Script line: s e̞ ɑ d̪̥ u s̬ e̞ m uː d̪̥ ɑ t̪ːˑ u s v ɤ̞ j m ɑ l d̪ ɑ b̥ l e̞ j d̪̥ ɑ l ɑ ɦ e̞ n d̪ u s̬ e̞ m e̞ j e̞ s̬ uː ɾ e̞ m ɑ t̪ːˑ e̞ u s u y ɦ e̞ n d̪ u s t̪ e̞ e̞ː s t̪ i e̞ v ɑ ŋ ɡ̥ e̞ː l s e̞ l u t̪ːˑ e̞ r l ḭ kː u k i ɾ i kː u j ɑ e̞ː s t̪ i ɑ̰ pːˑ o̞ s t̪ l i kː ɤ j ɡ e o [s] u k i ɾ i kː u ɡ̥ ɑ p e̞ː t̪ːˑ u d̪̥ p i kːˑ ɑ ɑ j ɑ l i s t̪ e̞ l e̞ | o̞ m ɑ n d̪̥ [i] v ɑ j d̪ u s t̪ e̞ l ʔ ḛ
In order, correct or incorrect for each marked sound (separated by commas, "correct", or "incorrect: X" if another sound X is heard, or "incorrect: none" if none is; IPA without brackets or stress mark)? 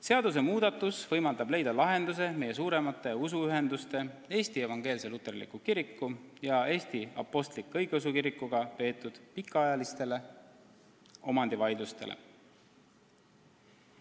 correct, correct